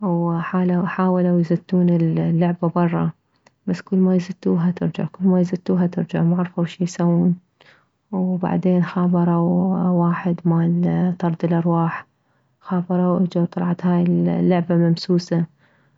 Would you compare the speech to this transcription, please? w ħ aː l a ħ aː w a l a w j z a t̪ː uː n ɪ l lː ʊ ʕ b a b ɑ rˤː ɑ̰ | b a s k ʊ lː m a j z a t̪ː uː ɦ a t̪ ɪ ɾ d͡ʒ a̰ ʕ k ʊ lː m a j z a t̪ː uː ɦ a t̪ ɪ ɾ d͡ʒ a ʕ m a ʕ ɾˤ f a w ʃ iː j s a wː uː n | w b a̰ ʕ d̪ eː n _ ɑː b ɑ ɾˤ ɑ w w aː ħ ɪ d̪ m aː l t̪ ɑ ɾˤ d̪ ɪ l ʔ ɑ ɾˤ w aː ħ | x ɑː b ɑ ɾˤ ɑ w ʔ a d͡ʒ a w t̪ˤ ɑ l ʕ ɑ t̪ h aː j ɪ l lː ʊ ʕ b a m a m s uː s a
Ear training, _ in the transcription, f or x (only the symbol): x